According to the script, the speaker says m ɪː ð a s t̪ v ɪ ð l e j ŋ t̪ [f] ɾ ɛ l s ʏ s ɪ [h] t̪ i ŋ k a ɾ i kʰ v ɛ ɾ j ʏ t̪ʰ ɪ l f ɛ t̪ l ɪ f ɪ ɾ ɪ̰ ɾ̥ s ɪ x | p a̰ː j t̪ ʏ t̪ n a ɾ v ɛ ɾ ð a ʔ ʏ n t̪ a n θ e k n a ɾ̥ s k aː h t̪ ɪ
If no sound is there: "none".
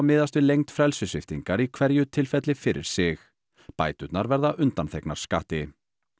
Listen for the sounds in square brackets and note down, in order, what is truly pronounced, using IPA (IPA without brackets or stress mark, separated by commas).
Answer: f, f